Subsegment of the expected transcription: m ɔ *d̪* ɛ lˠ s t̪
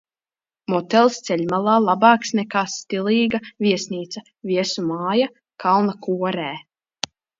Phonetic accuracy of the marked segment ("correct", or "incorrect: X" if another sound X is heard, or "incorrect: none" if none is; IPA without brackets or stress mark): incorrect: t̪